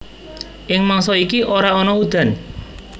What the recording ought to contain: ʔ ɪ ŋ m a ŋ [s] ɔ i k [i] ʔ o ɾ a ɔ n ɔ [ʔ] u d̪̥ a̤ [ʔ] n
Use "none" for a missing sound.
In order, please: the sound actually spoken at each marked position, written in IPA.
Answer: s, i, none, none

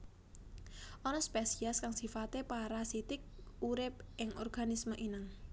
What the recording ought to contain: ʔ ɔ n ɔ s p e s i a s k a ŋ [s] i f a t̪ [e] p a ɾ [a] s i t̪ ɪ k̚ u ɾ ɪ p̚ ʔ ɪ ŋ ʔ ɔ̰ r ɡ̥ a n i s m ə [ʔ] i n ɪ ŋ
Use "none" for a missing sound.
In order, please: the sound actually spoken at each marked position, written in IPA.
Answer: s, e, a, ʔ

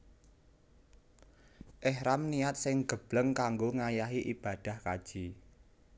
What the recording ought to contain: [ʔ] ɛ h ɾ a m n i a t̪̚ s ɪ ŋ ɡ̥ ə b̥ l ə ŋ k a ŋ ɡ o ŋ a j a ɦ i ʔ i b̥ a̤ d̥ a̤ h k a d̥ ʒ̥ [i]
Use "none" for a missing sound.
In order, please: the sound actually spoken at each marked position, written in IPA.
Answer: ʔ, i

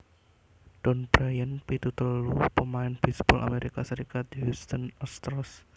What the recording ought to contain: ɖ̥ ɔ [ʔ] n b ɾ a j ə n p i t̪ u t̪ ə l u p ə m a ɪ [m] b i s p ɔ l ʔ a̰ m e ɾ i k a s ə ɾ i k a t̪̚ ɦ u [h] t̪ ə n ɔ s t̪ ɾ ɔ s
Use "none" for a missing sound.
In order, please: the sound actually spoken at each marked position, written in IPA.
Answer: none, n, s

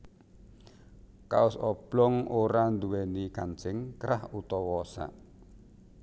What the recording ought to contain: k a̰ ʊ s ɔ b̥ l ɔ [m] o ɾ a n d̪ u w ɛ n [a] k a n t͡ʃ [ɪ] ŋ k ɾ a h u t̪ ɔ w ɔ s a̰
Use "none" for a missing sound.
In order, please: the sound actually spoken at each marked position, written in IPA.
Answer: ŋ, i, ɪ

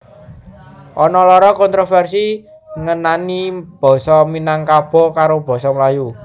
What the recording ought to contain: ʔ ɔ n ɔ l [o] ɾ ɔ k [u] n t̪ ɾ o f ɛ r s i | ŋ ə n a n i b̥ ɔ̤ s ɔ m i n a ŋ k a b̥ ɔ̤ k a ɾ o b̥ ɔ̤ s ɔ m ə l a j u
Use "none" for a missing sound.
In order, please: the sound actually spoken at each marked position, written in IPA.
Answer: ɔ, ɔ

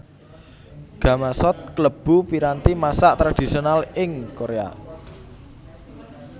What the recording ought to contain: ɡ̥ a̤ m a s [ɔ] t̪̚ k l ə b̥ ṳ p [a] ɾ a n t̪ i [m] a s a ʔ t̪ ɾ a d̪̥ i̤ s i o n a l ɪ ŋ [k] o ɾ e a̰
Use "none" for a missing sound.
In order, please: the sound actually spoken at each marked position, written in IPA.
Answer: ɔ, i, m, k

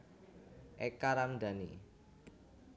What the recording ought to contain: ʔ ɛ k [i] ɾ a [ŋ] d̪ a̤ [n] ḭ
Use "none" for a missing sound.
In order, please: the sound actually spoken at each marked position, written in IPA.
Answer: a, m, n

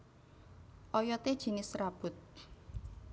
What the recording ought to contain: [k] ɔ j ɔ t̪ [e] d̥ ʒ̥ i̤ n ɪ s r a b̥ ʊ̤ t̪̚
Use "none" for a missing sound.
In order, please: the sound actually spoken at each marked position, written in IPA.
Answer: ʔ, e

